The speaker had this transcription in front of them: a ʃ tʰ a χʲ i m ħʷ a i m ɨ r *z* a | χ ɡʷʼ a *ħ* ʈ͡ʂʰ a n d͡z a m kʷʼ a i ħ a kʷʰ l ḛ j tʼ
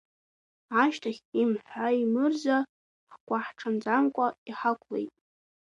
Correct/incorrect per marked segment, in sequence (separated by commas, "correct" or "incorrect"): correct, correct